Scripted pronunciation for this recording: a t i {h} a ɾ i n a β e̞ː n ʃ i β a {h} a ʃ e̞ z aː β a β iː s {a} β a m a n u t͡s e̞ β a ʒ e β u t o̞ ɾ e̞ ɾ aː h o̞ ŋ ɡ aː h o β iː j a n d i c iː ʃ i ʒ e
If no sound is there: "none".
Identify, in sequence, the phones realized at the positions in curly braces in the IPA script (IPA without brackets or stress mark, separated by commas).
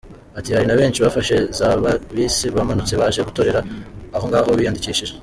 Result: h, f, i